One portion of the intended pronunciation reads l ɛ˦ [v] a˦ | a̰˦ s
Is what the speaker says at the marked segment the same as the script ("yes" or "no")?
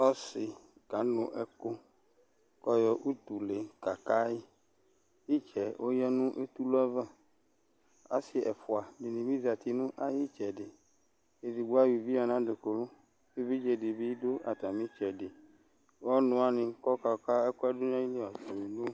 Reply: yes